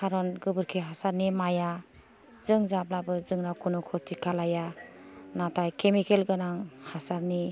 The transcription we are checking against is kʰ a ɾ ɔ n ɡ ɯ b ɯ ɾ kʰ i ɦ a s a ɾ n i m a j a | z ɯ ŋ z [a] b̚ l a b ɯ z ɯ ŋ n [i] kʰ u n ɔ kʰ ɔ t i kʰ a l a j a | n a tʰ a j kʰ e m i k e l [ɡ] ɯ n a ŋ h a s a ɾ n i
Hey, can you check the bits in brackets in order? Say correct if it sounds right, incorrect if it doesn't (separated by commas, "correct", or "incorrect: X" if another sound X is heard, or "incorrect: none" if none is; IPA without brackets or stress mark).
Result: correct, incorrect: a, correct